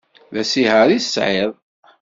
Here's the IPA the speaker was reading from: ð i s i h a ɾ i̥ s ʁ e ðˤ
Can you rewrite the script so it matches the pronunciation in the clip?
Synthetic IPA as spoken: ð æ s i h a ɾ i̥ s ʕ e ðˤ